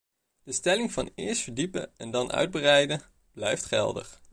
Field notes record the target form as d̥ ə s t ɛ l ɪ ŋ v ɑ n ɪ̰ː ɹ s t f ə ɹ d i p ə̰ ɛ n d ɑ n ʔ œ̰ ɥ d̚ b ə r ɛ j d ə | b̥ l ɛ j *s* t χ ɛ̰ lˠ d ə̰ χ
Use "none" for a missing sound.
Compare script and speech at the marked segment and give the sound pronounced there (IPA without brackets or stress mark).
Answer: f